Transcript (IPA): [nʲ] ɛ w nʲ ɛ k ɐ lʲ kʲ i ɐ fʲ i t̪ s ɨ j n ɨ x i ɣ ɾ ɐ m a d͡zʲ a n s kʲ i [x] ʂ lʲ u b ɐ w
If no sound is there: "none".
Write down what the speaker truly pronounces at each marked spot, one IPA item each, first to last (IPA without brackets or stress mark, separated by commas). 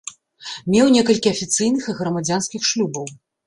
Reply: mʲ, x